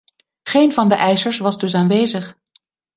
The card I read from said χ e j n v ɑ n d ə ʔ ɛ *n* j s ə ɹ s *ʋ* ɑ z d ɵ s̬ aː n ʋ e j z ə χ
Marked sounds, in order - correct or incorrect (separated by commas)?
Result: incorrect, correct